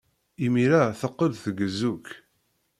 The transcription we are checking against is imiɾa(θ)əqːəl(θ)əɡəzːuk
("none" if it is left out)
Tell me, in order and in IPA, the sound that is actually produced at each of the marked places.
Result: θ, θ

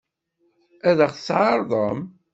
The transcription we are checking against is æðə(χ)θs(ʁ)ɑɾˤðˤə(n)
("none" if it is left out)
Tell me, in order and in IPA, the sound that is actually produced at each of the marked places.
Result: χ, ʕ, m

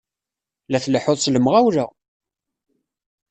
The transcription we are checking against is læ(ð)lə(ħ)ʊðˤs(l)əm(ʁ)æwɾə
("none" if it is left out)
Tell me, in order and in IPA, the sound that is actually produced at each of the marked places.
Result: θ, ħ, l, ʁ

